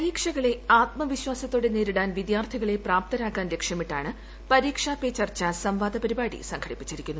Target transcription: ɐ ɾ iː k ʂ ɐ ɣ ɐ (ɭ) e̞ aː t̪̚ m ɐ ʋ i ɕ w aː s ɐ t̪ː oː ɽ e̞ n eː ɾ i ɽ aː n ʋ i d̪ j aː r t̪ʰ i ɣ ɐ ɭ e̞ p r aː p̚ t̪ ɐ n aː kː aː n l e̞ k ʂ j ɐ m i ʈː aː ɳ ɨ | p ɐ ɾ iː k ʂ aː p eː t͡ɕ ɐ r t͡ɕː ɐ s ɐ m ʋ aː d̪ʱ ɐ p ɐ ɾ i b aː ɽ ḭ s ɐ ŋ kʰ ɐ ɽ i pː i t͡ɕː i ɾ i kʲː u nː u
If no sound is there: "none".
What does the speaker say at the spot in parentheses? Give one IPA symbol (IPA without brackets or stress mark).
ɭ